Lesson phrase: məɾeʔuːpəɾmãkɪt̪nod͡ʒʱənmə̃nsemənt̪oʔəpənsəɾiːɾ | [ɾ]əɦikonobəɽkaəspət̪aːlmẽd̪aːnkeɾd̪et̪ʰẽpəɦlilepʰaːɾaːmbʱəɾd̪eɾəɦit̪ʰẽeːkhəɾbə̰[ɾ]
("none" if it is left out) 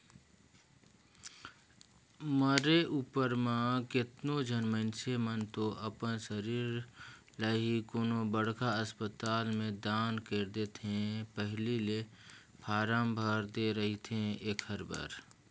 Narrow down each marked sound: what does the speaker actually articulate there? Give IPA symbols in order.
l, ɾ

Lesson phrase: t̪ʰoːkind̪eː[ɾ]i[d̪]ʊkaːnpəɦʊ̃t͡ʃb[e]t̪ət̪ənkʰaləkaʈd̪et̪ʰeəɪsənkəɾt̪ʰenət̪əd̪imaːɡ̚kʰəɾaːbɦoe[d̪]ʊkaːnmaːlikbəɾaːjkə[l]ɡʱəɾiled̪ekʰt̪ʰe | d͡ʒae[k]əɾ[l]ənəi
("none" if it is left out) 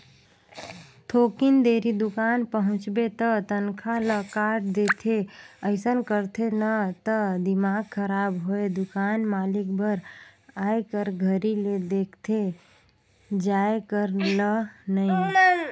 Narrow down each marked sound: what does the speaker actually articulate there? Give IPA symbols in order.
ɾ, d̪, e, d̪, ɾ, k, l

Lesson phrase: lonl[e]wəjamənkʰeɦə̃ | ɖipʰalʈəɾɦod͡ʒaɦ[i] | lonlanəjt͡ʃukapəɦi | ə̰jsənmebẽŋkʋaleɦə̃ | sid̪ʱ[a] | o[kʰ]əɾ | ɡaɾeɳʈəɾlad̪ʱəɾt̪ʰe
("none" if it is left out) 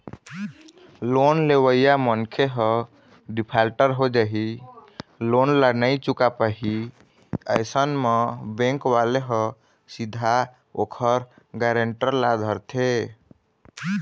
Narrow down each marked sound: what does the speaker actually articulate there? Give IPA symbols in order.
e, i, a, kʰ

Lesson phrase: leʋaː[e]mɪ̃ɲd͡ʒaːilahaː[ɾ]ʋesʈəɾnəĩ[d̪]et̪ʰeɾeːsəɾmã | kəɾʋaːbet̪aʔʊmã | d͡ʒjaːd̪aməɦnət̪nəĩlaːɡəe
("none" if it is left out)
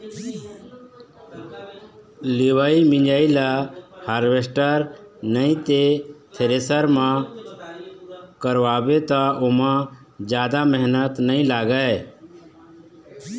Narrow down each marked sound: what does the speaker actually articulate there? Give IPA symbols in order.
i, ɾ, t̪

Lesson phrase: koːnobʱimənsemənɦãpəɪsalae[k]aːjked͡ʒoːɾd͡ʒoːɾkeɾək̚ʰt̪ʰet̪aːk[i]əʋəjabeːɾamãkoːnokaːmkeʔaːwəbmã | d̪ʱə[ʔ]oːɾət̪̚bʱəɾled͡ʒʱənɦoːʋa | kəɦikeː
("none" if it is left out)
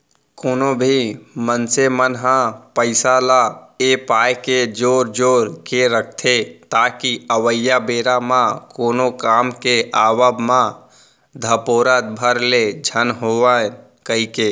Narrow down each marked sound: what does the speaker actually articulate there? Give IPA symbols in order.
p, i, p

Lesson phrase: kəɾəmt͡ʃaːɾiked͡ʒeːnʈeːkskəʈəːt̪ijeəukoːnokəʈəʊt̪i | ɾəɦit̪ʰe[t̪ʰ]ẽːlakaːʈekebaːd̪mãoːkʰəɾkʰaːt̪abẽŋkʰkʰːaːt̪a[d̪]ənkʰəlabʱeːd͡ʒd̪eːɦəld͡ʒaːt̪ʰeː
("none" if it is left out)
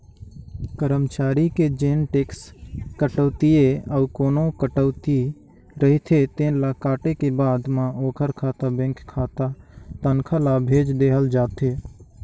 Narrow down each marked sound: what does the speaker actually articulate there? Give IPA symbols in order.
t̪, t̪

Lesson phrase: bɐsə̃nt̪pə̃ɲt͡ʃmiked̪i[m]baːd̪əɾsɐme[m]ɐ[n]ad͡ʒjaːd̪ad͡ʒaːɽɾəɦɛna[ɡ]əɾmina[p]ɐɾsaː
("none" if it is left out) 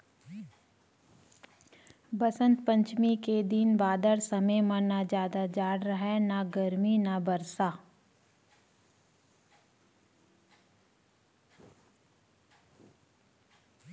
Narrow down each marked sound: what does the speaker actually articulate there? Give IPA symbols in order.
n, m, n, ɡ, b

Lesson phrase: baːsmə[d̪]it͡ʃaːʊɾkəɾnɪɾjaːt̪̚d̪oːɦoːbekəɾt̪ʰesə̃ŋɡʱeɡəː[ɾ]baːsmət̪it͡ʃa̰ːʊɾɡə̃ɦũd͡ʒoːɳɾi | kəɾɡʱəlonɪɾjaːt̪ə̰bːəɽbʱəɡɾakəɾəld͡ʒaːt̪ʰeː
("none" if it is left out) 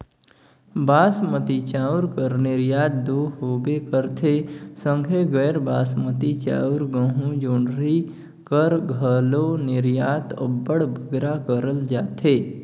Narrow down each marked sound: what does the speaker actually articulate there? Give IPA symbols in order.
t̪, ɾ

